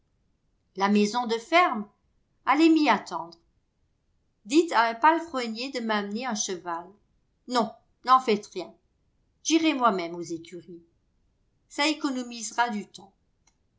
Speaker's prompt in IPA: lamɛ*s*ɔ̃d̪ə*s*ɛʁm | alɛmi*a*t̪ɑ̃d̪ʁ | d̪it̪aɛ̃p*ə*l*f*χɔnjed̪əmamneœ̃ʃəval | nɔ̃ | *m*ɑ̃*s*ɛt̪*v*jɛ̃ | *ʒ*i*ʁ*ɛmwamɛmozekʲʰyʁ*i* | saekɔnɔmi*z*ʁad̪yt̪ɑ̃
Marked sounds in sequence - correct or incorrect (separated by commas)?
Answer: incorrect, incorrect, correct, incorrect, correct, incorrect, incorrect, incorrect, correct, correct, correct, correct